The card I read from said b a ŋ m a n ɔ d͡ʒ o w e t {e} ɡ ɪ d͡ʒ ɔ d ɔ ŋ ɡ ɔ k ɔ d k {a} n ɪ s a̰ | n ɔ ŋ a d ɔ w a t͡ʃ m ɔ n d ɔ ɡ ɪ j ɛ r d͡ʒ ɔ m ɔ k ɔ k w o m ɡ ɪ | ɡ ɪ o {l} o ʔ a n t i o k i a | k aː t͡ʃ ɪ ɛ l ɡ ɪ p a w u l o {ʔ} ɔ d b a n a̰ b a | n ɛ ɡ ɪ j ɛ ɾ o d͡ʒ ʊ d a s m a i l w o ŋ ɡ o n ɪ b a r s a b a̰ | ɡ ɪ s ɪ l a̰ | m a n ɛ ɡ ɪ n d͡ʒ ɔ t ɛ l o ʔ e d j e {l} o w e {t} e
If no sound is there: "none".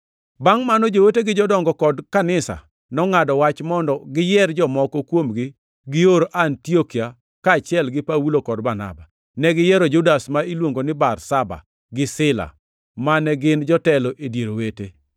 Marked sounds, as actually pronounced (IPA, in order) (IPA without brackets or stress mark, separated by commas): e, a, ɾ, k, ɾ, t